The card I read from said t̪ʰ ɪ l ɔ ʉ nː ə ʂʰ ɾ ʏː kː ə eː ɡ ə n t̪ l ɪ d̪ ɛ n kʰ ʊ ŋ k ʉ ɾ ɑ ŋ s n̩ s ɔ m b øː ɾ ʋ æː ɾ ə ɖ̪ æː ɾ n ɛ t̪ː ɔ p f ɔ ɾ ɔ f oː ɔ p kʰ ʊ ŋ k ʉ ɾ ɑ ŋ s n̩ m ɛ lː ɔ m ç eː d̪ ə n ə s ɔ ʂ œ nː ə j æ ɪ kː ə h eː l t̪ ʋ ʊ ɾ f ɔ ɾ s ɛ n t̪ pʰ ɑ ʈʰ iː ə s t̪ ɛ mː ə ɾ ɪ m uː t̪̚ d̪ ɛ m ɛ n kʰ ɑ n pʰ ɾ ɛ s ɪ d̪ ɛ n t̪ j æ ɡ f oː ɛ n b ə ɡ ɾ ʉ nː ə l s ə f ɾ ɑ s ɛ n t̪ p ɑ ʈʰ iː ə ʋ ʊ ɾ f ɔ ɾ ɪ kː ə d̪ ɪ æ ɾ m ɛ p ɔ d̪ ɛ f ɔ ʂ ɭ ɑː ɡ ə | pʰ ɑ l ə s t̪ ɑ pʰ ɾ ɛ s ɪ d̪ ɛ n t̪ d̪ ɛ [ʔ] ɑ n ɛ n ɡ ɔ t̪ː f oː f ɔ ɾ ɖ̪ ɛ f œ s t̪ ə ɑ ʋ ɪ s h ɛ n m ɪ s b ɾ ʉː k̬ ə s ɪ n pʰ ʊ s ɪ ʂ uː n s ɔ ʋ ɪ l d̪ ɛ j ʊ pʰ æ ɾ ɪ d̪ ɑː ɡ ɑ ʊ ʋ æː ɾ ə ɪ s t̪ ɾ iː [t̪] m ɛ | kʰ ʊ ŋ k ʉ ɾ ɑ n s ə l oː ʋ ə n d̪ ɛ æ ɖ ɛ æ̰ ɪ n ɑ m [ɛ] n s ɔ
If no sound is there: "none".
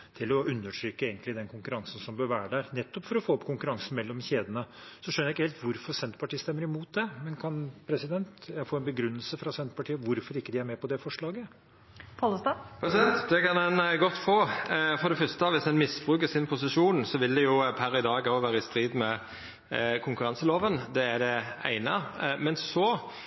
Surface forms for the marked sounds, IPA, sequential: k, d̪, ɛ

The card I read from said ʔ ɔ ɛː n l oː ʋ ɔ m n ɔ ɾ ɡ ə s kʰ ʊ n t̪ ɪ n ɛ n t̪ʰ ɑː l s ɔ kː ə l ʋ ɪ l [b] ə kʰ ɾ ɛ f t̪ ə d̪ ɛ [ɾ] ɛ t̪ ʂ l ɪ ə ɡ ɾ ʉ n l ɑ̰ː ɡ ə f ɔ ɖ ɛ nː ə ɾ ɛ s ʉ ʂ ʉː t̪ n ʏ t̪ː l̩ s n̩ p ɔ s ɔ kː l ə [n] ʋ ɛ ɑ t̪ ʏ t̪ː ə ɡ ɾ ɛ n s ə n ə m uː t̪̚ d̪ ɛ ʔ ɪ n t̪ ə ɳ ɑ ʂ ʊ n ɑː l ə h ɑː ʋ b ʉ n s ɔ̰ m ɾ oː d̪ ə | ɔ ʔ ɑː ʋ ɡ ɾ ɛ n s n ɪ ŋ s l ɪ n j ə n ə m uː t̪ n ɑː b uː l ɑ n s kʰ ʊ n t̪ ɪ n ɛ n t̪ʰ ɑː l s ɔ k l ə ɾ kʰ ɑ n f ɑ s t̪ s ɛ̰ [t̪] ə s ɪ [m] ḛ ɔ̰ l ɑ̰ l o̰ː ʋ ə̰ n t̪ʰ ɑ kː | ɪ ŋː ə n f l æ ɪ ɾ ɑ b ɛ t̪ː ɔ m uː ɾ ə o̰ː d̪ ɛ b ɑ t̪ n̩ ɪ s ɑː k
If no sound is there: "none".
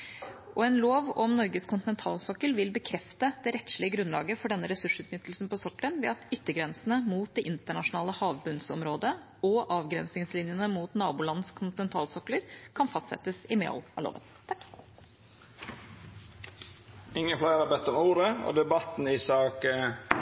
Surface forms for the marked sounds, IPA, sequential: b, ɾ, n, t̪, m

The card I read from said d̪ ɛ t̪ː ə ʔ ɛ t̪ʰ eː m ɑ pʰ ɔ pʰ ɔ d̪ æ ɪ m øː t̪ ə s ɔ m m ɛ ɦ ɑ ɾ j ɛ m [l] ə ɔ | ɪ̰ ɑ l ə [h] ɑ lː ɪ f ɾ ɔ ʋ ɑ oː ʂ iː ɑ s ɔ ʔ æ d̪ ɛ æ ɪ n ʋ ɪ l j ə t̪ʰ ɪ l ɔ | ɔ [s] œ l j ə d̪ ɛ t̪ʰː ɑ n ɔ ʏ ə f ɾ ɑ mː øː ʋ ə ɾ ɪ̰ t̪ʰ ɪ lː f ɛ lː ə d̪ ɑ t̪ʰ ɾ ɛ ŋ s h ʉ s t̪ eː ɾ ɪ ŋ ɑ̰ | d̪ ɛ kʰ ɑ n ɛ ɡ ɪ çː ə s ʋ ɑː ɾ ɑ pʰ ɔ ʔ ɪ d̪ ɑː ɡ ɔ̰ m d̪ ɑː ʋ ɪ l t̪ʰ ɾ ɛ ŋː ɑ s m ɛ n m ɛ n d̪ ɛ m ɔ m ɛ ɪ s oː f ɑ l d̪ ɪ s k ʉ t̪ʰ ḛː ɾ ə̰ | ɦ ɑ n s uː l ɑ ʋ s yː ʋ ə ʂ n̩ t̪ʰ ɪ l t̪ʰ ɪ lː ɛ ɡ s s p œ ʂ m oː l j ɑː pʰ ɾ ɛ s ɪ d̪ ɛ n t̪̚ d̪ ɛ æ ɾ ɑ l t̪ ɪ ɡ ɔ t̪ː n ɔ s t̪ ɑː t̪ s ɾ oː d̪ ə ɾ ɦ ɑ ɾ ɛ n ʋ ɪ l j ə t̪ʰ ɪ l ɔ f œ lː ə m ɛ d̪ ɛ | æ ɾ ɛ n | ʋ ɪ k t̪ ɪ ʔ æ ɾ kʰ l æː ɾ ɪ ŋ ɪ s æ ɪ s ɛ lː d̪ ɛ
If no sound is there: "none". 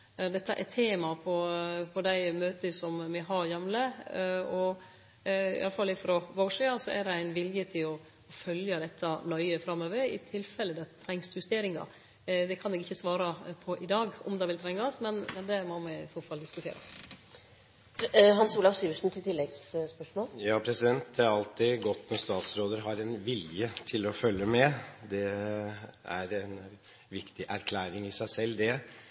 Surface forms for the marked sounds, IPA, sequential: l, f, f

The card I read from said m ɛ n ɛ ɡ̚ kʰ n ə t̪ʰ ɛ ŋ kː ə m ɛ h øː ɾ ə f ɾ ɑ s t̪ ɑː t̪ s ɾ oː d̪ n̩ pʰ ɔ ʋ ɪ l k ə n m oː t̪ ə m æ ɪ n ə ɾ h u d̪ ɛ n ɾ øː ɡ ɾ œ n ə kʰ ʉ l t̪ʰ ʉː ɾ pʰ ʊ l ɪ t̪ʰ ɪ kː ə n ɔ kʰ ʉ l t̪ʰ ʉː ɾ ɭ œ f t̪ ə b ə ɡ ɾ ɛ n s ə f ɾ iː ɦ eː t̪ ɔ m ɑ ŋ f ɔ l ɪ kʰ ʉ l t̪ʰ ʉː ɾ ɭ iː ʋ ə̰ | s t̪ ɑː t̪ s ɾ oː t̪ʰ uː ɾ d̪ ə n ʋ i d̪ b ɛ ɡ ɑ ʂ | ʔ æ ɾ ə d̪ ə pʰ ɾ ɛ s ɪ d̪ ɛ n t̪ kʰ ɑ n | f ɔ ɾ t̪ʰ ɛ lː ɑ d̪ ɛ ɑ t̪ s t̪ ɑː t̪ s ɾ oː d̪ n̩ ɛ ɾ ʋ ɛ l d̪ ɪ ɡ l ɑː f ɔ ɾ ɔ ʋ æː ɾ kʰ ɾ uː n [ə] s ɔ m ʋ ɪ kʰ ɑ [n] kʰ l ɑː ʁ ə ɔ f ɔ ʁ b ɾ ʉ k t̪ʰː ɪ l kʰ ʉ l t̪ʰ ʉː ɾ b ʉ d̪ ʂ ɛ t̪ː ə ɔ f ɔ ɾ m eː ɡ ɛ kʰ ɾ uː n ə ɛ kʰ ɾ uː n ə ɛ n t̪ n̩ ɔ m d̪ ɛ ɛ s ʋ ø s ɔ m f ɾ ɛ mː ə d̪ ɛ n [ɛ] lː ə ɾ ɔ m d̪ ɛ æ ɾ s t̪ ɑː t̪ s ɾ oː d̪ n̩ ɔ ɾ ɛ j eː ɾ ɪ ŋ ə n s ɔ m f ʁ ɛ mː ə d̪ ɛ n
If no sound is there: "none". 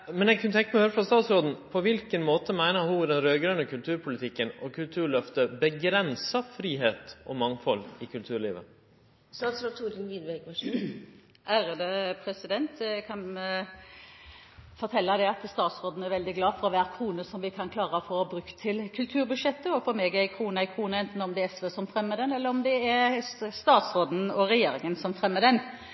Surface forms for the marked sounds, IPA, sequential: ə, n, ɛ

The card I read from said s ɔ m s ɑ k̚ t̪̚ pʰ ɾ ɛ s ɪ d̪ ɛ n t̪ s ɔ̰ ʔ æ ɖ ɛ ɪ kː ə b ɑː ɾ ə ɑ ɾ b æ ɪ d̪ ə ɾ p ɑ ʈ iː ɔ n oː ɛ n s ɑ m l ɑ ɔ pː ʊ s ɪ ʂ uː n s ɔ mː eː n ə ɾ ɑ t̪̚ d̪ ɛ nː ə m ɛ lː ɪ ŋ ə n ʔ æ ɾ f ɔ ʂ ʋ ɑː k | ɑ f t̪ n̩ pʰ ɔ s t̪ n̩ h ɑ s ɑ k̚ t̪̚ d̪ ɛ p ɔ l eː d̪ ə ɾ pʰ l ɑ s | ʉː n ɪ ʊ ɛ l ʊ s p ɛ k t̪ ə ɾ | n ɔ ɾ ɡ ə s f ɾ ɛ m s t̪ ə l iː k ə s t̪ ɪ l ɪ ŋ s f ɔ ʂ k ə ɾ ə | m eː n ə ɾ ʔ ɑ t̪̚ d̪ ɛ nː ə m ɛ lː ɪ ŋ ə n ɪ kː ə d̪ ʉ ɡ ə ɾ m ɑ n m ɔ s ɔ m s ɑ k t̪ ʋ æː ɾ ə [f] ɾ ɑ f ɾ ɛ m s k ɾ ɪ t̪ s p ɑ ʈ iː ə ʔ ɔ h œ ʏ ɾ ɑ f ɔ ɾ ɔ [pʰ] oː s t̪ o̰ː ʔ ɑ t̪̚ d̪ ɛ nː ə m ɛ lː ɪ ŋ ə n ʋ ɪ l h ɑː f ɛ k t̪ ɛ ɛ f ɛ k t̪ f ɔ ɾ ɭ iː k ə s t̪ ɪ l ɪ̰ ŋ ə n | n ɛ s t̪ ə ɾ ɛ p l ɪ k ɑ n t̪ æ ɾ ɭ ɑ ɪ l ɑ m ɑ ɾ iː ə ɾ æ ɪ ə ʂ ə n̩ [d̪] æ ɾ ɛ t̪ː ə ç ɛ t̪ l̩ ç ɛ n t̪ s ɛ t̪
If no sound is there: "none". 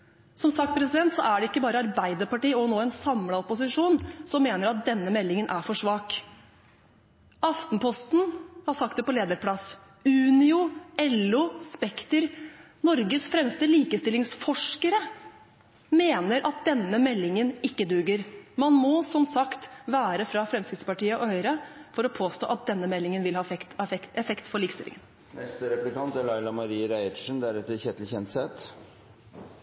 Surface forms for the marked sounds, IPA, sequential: f, pʰ, d̪

